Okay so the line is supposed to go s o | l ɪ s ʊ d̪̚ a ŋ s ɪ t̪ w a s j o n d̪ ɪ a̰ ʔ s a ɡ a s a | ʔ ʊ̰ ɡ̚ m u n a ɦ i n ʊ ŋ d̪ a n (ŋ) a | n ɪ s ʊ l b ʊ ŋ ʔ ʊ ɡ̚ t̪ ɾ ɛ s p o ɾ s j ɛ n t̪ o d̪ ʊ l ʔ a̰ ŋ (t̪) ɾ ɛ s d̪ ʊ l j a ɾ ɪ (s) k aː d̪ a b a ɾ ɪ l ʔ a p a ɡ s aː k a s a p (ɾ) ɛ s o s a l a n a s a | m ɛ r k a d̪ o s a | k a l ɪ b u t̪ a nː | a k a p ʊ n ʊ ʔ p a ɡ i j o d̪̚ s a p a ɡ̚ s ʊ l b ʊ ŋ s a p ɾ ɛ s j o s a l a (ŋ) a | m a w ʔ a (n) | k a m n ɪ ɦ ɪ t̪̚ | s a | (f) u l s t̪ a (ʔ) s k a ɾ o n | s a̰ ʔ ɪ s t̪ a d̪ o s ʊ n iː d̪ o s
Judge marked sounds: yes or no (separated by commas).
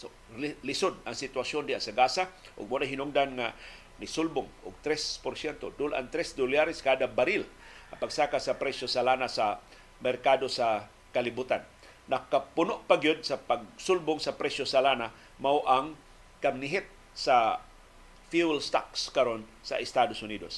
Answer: yes, yes, yes, yes, no, no, yes, no